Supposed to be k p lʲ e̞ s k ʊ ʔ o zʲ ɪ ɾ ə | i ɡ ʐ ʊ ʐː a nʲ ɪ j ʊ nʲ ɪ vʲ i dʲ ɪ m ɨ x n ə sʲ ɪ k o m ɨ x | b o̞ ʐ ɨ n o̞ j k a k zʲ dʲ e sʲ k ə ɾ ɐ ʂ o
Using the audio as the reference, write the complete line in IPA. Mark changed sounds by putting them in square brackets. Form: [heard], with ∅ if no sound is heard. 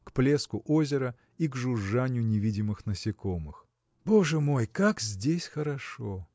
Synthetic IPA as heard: k p lʲ e̞ s k ʊ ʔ o zʲ ɪ ɾ ə | i ɡ ʐ ʊ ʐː a nʲ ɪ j ʊ nʲ ɪ vʲ i dʲ ɪ m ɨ x n ə sʲ ɪ k o m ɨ x | b o̞ ʐ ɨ [m] o̞ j k a k zʲ dʲ e sʲ [x] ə ɾ ɐ ʂ o

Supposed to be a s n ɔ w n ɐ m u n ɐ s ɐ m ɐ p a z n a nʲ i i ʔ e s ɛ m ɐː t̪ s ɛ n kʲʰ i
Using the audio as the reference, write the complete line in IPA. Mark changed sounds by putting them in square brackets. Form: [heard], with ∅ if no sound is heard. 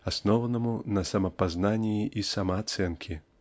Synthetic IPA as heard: a s n ɔ w n ɐ m u n ɐ s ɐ m ɐ p a z n a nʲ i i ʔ [i] s [a] m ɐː t̪ s ɛ n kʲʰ i

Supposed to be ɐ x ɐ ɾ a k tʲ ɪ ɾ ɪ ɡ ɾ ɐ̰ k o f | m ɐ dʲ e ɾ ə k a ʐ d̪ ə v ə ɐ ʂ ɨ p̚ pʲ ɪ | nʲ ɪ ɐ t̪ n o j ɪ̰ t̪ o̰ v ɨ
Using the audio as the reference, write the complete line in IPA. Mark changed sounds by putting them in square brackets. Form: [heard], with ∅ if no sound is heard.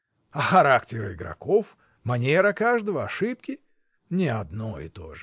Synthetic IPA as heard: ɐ x ɐ ɾ a k tʲ ɪ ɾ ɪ ɡ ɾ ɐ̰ k o f | m ɐ [nʲ] e ɾ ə k a ʐ d̪ ə v ə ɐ ʂ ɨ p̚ [kʲ] ɪ | nʲ ɪ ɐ [d̪] n o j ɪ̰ t̪ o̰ [ʐ] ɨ

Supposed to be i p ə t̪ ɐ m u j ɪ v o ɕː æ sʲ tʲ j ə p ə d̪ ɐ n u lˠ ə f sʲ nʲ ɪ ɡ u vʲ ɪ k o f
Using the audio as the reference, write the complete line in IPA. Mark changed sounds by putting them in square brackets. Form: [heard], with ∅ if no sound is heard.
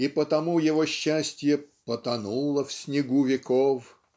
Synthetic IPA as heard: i p ə t̪ ɐ m u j ɪ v o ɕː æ sʲ tʲ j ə p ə [t̪] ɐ n u lˠ ə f sʲ nʲ ɪ ɡ u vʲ ɪ k o f

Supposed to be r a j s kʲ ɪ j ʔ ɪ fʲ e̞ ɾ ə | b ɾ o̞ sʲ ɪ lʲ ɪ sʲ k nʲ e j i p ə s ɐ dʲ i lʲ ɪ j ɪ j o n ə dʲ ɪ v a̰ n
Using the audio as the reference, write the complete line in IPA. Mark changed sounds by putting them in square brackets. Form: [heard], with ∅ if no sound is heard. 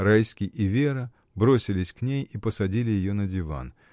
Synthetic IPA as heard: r a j s kʲ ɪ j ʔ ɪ [vʲ] e̞ ɾ ə | b ɾ o̞ sʲ ɪ lʲ ɪ sʲ k nʲ e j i p ə s ɐ dʲ i lʲ ɪ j ɪ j o n ə dʲ ɪ v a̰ n

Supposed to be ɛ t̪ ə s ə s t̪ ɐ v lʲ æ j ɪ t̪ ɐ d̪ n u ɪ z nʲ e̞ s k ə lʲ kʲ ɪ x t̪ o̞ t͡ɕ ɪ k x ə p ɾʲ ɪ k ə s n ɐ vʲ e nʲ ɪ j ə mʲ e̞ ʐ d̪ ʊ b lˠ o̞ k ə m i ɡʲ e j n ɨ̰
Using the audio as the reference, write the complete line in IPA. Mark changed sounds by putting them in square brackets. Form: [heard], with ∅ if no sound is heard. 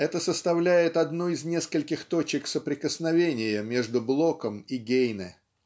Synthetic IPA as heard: ɛ t̪ ə s ə s t̪ ɐ v lʲ æ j ɪ t̪ ɐ d̪ n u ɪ z nʲ e̞ s k ə lʲ kʲ ɪ x t̪ o̞ t͡ɕ ɪ k [s] ə p ɾʲ ɪ k ə s n ɐ vʲ e nʲ ɪ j ə mʲ e̞ ʐ d̪ ʊ b lˠ o̞ k ə m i ɡʲ e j n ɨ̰

